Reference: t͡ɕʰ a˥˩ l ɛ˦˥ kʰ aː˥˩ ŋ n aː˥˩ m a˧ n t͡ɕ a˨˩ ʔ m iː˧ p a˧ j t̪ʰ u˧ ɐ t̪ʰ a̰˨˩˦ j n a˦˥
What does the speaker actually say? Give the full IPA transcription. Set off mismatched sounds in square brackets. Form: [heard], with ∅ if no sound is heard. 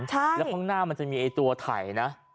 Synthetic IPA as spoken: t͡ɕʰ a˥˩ l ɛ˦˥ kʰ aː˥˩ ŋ n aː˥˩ m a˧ n t͡ɕ a˨˩ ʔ m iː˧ [ʔ] a˧ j [t̪] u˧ ɐ t̪ʰ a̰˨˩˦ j n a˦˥

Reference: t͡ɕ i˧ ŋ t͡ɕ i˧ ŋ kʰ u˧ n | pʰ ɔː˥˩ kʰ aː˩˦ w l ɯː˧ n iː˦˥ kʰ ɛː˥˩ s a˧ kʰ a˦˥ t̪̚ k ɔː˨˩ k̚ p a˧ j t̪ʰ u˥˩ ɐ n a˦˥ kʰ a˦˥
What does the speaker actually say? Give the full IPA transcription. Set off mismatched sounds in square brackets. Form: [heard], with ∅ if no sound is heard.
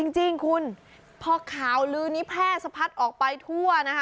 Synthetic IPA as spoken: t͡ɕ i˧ ŋ t͡ɕ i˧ ŋ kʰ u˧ n | pʰ [ɔː˧] kʰ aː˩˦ w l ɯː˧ n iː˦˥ [pʰ] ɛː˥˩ s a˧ [pʰ] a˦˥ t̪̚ [ʔ] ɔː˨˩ k̚ p a˧ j t̪ʰ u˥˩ ɐ n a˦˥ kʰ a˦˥

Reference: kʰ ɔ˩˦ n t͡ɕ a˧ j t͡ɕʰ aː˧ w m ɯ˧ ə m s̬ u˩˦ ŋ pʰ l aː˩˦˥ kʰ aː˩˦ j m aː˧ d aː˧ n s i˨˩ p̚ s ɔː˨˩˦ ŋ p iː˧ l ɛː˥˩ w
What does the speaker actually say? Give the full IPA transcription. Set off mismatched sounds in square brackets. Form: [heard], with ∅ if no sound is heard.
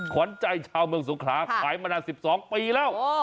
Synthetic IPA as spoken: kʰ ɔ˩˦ n t͡ɕ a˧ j t͡ɕʰ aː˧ w m ɯ˧ ə [ŋ] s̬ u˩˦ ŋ [kʰ] l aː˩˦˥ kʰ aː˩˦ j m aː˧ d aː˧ n s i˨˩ p̚ s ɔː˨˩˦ ŋ p iː˧ l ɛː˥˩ w

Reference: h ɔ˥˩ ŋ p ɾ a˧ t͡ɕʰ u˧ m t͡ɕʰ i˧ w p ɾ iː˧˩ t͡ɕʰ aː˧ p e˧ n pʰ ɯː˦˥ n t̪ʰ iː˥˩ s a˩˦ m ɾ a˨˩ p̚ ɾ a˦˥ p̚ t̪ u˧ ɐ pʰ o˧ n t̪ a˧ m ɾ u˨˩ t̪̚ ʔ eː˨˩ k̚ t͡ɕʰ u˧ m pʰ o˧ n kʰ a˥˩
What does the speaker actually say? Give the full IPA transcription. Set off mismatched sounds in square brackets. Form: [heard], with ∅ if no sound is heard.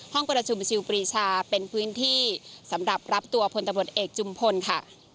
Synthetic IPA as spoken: h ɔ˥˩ ŋ p ɾ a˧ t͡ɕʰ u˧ m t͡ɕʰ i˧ w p ɾ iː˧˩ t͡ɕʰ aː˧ p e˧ n pʰ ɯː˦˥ n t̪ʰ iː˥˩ s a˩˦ m ɾ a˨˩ p̚ ɾ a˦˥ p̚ t̪ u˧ ɐ pʰ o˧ n t̪ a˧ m ɾ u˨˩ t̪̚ ʔ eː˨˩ k̚ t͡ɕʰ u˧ m pʰ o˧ n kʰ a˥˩

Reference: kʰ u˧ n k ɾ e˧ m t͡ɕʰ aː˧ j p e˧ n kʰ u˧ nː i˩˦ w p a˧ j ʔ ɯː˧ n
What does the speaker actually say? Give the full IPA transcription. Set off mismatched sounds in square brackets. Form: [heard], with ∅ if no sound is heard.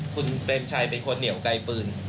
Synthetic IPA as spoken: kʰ u˧ n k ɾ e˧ m t͡ɕʰ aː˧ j p e˧ n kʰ [o˧] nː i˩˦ w [k] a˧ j [p] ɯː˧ n

